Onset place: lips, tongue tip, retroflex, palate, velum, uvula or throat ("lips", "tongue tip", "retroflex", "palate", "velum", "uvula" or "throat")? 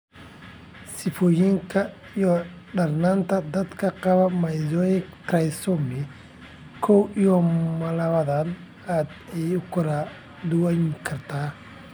tongue tip